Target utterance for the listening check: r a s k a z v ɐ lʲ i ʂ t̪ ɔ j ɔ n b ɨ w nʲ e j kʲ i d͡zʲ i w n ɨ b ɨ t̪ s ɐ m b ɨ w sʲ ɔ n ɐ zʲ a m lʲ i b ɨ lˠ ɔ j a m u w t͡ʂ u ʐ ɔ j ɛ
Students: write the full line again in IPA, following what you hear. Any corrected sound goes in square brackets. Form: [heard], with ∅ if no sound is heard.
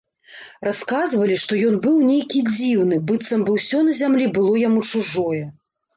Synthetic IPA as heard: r a s k a z v ɐ lʲ i ʂ t̪ ɔ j ɔ n b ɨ w nʲ e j kʲ i d͡zʲ i w n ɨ b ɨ t̪ s ɐ m b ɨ w sʲ ɔ n ɐ zʲ a m lʲ i b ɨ lˠ ɔ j a m u [∅] t͡ʂ u ʐ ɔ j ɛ